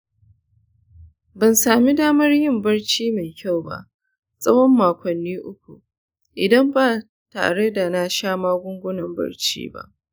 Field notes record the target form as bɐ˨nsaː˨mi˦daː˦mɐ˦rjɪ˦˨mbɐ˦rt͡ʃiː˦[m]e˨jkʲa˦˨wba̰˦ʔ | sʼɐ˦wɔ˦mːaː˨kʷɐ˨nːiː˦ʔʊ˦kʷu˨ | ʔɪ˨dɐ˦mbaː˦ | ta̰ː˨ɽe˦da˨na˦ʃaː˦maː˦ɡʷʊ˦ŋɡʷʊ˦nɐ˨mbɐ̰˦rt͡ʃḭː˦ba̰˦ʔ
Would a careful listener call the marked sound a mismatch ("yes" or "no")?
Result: no